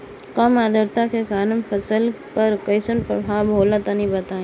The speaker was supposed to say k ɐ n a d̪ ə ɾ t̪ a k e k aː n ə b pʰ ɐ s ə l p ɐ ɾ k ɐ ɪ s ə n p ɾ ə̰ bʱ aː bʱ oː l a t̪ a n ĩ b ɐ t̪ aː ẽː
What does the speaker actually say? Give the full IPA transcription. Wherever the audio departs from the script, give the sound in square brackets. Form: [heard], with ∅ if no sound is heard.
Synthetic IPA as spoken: k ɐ [m] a d̪ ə ɾ t̪ a k e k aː n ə [m] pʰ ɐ s ə l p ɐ ɾ k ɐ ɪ s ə n p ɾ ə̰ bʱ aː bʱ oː l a t̪ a n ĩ b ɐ t̪ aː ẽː